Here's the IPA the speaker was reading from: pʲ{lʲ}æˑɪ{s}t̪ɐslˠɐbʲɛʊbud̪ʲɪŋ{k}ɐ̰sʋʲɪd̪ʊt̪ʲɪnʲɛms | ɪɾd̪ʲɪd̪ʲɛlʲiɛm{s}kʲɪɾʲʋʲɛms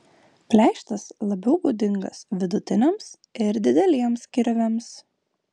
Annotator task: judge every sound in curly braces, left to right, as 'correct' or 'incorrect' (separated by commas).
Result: correct, incorrect, incorrect, correct